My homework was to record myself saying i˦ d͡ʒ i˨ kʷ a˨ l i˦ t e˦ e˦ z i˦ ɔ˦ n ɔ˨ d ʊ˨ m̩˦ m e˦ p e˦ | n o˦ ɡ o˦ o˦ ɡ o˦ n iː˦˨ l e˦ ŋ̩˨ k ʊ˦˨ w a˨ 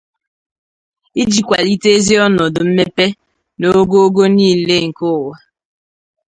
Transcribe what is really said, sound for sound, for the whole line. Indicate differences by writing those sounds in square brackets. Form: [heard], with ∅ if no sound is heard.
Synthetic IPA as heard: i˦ d͡ʒ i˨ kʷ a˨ l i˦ t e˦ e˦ z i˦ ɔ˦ n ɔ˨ d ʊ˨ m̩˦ m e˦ p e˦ | n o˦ ɡ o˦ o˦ ɡ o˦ n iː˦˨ l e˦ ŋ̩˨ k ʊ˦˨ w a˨